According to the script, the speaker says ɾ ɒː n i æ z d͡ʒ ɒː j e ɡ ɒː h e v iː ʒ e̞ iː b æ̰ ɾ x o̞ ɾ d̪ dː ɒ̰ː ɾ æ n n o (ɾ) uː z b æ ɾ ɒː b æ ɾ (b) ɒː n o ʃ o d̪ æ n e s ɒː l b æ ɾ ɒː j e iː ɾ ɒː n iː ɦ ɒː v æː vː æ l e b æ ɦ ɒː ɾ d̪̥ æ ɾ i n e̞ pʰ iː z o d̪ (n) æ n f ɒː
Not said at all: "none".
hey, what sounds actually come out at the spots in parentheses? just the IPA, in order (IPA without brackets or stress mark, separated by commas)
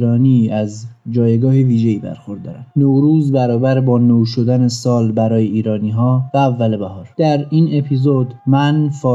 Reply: ɾ, b, m